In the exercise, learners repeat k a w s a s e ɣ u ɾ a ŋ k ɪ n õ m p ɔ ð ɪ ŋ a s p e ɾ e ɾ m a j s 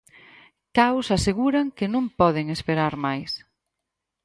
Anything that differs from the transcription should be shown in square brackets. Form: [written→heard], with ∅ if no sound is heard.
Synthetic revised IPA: k a w s a s e ɣ u ɾ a ŋ k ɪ n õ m p ɔ ð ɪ ŋ [a→e] s p e ɾ [e→a] ɾ m a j s